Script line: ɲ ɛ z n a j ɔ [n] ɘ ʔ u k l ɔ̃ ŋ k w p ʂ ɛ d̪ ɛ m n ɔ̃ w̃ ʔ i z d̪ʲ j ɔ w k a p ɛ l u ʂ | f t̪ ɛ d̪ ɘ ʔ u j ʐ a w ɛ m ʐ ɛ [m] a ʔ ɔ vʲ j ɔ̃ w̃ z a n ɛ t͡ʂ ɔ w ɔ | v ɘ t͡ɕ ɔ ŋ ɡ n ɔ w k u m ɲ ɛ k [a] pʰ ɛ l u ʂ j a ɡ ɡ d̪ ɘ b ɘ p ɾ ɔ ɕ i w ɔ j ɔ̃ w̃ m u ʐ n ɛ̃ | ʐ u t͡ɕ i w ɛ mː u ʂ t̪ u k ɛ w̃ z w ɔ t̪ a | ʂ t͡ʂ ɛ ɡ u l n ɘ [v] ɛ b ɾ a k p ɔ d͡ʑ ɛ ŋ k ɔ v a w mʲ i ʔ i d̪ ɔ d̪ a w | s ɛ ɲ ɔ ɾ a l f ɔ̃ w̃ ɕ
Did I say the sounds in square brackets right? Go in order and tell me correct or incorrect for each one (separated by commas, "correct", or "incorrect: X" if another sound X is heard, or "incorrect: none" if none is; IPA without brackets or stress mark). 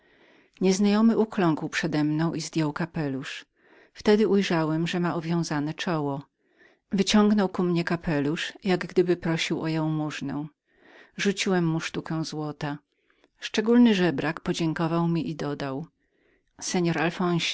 incorrect: m, correct, correct, incorrect: ʐ